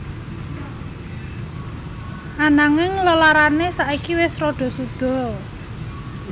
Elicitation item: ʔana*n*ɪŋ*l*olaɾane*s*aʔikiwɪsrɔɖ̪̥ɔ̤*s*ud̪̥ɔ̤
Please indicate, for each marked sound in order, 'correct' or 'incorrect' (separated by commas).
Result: incorrect, correct, correct, correct